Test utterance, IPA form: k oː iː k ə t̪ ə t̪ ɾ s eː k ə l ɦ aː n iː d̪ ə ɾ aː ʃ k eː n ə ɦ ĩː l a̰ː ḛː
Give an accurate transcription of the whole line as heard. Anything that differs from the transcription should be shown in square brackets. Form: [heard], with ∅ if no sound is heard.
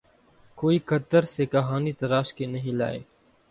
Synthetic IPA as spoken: k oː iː k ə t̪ ə [∅] ɾ s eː k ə [∅] ɦ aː n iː [t̪] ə ɾ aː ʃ k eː n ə ɦ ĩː l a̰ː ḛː